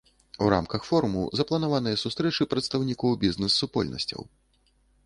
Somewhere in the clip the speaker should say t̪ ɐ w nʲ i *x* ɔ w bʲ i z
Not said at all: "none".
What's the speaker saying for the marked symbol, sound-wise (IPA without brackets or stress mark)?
k